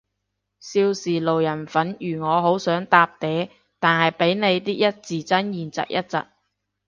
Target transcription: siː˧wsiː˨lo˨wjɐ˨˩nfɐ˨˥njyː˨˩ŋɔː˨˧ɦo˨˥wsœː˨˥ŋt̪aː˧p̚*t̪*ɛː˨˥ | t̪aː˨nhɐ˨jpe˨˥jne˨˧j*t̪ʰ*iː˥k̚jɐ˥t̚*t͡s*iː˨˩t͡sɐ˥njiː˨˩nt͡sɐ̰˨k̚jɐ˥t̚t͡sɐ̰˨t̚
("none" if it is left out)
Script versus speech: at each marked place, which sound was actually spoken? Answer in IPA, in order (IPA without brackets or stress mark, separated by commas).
t̪, t̪, t͡s